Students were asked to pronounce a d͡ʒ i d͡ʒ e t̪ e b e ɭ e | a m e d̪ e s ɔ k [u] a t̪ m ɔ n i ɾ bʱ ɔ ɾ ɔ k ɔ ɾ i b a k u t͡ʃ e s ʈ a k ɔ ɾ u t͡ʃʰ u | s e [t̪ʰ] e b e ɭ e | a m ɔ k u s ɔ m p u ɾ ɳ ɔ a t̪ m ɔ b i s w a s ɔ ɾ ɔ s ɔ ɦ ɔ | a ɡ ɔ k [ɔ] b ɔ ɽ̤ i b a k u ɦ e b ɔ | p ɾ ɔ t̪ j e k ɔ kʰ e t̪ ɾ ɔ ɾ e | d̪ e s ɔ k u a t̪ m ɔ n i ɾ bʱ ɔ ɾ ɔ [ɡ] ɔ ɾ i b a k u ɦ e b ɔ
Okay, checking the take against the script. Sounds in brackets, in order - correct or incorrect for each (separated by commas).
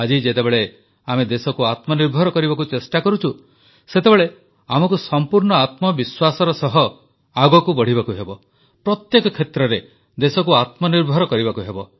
correct, incorrect, incorrect, incorrect